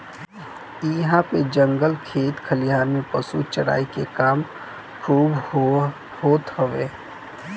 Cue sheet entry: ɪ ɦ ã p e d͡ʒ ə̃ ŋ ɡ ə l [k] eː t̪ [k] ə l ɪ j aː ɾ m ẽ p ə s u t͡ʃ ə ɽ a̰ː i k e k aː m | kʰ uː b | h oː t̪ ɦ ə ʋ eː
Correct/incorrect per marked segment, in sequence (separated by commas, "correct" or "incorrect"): incorrect, incorrect